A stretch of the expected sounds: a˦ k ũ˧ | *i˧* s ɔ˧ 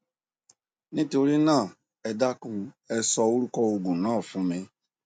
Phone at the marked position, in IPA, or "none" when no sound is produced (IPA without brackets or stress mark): ɛ˧